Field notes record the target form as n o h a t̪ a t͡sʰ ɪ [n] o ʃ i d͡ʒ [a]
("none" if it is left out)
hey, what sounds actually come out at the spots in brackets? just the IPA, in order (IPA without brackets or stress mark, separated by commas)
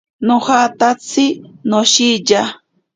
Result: n, a